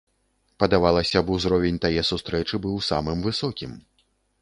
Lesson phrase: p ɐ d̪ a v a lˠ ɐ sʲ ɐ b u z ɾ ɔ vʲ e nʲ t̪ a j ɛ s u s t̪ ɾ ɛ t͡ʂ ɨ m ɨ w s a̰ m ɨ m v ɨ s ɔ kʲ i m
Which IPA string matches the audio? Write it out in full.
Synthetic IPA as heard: p ɐ d̪ a v a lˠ ɐ sʲ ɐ b u z ɾ ɔ vʲ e nʲ t̪ a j ɛ s u s t̪ ɾ ɛ t͡ʂ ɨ b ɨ w s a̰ m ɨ m v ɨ s ɔ kʲ i m